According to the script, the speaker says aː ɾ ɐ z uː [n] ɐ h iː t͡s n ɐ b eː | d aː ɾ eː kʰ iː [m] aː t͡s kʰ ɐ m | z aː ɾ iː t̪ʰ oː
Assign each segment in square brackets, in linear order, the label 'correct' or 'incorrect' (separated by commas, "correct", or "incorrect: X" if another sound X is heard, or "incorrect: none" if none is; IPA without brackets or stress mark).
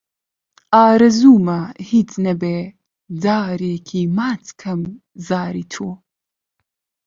incorrect: m, correct